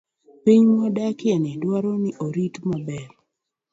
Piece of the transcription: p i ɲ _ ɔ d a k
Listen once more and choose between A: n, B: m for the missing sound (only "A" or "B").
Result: B